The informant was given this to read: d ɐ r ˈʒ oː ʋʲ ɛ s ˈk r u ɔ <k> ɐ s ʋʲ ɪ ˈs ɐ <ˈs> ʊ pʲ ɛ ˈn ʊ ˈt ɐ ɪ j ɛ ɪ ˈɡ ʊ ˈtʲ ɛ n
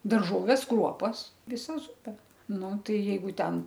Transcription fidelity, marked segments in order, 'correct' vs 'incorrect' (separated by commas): incorrect, incorrect